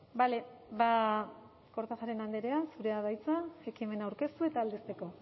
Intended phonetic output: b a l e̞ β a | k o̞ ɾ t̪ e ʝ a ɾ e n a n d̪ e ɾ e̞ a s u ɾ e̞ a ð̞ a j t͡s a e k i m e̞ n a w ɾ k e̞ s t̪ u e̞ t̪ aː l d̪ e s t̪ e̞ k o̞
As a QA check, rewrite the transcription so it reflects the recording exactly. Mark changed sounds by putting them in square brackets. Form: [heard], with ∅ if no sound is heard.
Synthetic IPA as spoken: b a l e̞ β a | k o̞ ɾ t̪ [a] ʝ a ɾ e n a n d̪ e ɾ e̞ a s u ɾ e̞ a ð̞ a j t͡s a e k i m e̞ n a w ɾ k e̞ s t̪ u e̞ t̪ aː l d̪ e s t̪ e̞ k o̞